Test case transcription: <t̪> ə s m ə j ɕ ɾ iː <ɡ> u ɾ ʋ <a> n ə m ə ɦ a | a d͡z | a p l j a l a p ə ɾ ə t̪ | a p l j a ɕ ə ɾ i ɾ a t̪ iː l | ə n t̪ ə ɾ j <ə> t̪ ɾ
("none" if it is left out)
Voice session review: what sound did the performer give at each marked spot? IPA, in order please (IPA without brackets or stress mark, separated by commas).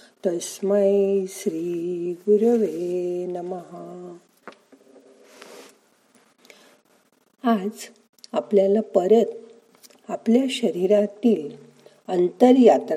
t̪, ɡ, e, a